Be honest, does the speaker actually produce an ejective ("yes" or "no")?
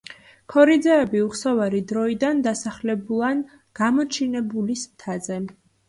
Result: no